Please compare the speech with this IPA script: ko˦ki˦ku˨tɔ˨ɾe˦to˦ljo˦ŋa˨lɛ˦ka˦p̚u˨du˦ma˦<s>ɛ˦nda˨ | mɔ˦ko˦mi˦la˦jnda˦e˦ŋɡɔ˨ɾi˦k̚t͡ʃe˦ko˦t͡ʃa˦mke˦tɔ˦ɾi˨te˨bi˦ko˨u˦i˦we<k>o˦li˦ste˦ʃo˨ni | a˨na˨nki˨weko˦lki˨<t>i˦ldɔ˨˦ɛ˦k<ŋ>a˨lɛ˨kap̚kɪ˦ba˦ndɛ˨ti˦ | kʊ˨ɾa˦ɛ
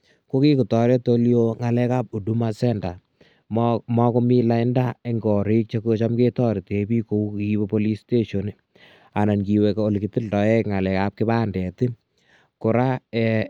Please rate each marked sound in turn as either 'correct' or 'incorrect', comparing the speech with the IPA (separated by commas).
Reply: correct, incorrect, correct, correct